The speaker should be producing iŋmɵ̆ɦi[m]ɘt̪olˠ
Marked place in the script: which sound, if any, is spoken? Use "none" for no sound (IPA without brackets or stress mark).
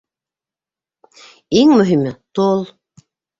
m